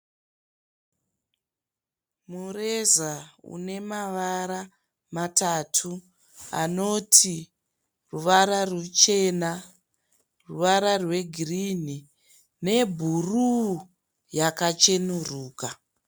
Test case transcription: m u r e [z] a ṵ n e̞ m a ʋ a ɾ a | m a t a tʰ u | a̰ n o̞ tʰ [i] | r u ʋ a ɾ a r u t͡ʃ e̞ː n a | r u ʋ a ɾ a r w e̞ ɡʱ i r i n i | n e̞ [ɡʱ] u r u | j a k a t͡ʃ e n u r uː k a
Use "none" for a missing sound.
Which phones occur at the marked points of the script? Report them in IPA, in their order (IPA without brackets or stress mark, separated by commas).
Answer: z, i, bʱ